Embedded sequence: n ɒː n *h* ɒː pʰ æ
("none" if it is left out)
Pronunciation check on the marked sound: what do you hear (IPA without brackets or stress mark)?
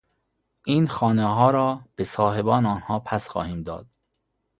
h